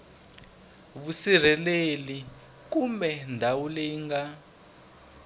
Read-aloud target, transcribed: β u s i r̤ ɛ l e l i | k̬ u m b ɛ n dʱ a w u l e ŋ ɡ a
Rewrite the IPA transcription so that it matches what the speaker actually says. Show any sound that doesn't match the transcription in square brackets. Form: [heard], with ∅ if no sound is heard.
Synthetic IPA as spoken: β u s i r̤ ɛ l e l i | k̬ u m b ɛ n dʱ a w u l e ŋ ɡ a